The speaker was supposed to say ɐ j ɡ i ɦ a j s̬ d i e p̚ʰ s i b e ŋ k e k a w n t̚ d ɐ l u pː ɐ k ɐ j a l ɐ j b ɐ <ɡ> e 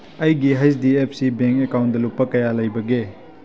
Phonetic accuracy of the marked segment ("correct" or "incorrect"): correct